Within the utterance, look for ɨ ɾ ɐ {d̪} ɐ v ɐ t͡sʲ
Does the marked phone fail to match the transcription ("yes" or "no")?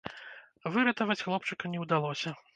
yes